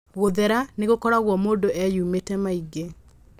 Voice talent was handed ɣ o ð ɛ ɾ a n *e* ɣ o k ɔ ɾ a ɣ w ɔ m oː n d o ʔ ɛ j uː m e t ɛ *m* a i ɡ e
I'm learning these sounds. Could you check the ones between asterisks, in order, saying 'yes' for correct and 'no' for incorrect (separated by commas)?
yes, yes